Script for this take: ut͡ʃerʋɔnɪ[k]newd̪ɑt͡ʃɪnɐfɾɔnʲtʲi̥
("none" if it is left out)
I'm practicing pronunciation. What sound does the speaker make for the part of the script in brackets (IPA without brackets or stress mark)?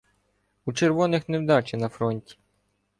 x